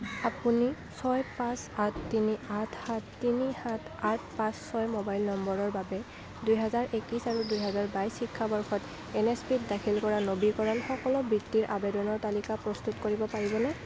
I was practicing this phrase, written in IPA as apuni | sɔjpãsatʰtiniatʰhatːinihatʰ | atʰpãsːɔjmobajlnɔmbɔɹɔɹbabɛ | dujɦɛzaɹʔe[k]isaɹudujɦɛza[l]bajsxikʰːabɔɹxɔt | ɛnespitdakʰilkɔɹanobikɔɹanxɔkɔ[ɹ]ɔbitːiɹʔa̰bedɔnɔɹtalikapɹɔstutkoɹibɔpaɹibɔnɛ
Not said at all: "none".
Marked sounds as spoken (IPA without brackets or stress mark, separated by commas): k, ɹ, l